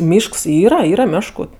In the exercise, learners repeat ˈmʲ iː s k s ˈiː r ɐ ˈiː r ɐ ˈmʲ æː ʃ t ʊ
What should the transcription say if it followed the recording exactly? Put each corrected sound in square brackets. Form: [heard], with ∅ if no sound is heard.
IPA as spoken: ˈmʲ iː [ʃ] k s ˈiː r ɐ ˈiː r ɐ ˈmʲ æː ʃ [k] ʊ

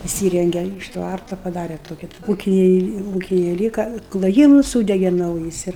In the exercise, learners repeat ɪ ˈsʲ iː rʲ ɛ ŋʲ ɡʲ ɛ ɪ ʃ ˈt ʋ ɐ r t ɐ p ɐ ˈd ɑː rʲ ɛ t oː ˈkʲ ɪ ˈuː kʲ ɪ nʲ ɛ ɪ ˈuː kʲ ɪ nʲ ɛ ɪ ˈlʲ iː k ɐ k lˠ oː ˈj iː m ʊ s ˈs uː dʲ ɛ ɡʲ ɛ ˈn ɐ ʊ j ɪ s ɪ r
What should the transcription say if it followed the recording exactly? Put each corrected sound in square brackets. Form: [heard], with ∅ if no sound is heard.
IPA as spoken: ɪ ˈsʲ iː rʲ ɛ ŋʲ ɡʲ ɛ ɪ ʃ ˈt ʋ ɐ r t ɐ p ɐ ˈd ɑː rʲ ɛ t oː ˈkʲ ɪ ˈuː kʲ ɪ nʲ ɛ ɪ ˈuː kʲ ɪ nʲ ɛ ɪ ˈlʲ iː k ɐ k lˠ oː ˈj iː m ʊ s ˈs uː dʲ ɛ ɡʲ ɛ ˈn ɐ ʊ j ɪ s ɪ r

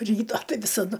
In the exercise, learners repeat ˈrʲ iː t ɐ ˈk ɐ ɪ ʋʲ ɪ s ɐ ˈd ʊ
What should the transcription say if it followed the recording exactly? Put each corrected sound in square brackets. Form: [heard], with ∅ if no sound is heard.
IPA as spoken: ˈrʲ iː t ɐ [ˈt] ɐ ɪ ʋʲ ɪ s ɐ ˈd ʊ

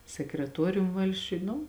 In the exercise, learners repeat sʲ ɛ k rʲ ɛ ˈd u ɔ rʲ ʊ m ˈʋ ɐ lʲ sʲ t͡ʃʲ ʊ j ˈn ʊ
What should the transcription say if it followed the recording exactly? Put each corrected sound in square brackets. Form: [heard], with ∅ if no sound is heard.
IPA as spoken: sʲ ɛ k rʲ ɛ [ˈt] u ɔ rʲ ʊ m ˈʋ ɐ lʲ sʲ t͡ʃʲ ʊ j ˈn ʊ

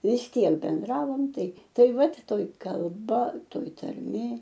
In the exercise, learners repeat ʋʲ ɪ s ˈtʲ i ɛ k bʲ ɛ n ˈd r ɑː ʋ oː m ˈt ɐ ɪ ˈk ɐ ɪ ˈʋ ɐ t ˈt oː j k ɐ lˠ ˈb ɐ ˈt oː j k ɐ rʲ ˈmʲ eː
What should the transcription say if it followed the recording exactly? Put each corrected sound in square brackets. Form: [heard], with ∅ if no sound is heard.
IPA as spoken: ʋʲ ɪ s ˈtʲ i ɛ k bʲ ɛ n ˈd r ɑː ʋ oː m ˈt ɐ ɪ [ˈt] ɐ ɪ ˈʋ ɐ t ˈt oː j k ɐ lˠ ˈb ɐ ˈt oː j [t] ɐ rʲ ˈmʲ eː

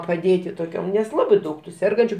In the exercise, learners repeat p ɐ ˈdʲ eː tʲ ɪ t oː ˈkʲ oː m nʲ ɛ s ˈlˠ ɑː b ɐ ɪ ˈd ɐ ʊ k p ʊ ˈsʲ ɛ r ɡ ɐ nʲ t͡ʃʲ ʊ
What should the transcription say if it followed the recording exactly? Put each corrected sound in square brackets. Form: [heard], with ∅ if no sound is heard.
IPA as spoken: p ɐ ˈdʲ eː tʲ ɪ t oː ˈkʲ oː m nʲ ɛ s ˈlˠ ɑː b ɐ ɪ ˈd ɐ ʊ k [t] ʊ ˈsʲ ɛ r ɡ ɐ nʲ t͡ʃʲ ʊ

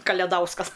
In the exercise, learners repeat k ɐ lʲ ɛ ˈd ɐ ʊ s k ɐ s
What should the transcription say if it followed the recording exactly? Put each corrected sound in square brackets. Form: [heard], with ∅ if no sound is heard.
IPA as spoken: k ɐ lʲ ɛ ˈd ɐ ʊ s k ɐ s

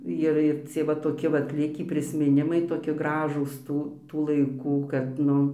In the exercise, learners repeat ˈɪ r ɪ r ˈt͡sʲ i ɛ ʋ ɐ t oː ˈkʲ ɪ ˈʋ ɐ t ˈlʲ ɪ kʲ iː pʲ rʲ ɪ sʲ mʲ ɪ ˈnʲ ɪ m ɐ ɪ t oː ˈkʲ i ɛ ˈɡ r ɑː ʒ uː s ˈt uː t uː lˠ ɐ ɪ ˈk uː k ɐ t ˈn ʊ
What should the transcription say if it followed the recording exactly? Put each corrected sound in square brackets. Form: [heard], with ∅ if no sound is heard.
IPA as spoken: ˈɪ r ɪ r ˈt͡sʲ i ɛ ʋ ɐ t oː ˈkʲ ɪ ˈʋ ɐ t ˈlʲ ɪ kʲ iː pʲ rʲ ɪ sʲ mʲ ɪ ˈnʲ ɪ m ɐ ɪ t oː ˈkʲ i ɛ ˈɡ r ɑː ʒ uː s ˈt uː t uː lˠ ɐ ɪ ˈk uː k ɐ t ˈn ʊ

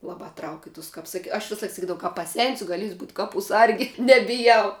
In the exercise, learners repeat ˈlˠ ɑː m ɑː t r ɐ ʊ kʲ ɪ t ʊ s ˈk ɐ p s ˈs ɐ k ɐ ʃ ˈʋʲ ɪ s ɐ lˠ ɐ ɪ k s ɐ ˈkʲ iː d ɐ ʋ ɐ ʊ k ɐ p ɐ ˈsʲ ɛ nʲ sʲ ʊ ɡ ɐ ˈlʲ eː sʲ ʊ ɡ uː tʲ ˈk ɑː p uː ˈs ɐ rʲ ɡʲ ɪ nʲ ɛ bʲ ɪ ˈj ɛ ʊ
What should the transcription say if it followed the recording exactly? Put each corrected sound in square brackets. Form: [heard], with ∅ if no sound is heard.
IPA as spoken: ˈlˠ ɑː [b] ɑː t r ɐ ʊ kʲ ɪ t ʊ s ˈk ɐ p s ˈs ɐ k ɐ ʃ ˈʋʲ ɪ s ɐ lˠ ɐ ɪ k s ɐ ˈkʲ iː d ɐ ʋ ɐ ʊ k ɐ p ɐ ˈsʲ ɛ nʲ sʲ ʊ ɡ ɐ ˈlʲ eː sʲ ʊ [b] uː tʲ ˈk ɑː p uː ˈs ɐ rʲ ɡʲ ɪ nʲ ɛ bʲ ɪ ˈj ɛ ʊ

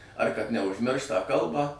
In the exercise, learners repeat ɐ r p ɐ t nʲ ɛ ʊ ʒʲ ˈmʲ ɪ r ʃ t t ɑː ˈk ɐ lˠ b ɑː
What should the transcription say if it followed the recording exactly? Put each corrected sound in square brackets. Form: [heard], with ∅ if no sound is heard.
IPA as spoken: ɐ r [k] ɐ t nʲ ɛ ʊ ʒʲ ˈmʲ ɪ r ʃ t t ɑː ˈk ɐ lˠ b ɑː

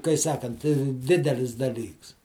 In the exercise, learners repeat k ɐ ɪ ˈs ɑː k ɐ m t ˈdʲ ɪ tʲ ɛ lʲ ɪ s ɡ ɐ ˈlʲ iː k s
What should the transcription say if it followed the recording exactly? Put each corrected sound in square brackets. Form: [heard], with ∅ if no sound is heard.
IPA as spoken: k ɐ ɪ ˈs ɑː k ɐ [n] t ˈdʲ ɪ [dʲ] ɛ lʲ ɪ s [d] ɐ ˈlʲ iː k s

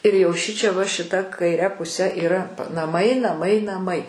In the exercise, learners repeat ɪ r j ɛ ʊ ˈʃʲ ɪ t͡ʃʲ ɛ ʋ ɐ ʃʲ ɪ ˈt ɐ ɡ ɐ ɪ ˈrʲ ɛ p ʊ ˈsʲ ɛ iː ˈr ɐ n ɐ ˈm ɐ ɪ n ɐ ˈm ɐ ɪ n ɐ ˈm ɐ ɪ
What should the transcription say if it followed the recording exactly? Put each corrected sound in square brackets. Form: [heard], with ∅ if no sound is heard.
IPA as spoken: ɪ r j ɛ ʊ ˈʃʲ ɪ t͡ʃʲ ɛ ʋ ɐ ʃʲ ɪ ˈt ɐ [k] ɐ ɪ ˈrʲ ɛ p ʊ ˈsʲ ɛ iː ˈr ɐ n ɐ ˈm ɐ ɪ n ɐ ˈm ɐ ɪ n ɐ ˈm ɐ ɪ

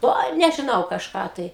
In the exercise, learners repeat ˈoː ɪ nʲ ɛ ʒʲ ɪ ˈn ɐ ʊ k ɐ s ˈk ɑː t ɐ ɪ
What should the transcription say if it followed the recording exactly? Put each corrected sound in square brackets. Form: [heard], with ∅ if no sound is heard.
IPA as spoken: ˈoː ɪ nʲ ɛ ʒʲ ɪ ˈn ɐ ʊ k ɐ [ʃ] ˈk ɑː t ɐ ɪ

